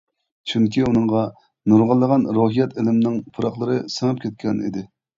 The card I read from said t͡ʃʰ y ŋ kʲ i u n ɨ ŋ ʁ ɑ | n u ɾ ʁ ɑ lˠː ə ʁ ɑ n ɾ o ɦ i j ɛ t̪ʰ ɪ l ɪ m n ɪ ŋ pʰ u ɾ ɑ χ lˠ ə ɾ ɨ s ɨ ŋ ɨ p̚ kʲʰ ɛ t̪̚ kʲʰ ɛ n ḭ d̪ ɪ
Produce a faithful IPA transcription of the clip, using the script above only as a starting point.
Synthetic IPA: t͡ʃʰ y ŋ kʲ i u n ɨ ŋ ʁ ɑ | n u ɾ ʁ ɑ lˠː ə ʁ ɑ n ɾ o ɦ i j ɛ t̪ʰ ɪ l ɪ m n ɪ ŋ pʰ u ɾ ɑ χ lˠ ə ɾ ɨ s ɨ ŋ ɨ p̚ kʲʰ ɛ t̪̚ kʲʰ ɛ n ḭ d̪ ɪ